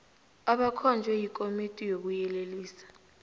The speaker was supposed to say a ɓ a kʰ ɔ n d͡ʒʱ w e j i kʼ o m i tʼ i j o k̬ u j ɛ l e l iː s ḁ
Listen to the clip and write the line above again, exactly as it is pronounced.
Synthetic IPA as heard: a ɓ a kʰ ɔ n d͡ʒʱ w ɛ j i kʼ o m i tʼ i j o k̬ u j ɛ l e l iː s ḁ